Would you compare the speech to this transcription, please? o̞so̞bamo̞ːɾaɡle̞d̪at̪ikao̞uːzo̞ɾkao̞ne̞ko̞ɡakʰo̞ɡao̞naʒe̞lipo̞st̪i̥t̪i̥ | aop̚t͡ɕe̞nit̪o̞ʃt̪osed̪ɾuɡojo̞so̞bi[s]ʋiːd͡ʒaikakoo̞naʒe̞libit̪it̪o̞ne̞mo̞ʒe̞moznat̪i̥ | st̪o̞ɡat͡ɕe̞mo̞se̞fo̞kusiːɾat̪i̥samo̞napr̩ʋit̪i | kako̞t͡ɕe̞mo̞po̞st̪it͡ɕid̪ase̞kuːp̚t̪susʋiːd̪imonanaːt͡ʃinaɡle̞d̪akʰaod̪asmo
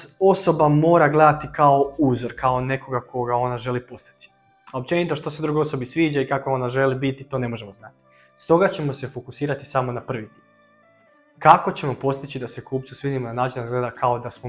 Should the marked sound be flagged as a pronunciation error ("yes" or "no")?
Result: no